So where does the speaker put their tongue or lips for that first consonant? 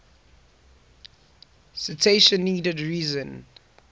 tongue tip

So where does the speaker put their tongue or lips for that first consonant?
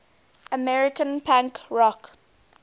lips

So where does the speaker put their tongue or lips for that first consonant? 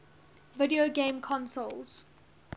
lips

